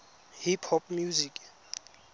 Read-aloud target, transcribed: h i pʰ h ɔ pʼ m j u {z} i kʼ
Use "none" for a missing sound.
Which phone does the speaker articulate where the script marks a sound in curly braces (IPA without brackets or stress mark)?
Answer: z